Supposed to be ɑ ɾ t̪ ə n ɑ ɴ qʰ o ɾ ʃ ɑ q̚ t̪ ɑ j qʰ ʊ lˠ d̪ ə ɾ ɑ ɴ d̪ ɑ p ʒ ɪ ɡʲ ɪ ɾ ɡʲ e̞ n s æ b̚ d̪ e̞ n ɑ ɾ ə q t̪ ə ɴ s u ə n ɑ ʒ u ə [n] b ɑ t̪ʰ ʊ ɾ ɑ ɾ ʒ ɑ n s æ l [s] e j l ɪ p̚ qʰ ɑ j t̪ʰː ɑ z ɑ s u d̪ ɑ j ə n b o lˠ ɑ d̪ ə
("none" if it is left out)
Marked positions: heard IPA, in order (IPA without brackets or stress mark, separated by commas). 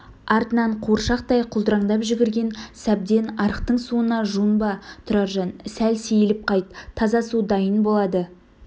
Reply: n, s